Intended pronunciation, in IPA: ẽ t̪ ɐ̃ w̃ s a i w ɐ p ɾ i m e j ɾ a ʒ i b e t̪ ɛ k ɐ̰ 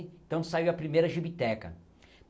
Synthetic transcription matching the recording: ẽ t̪ ɐ̃ w̃ s a i w ɐ p ɾ i m e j ɾ ɐ ʒ i b i t̪ ɛ k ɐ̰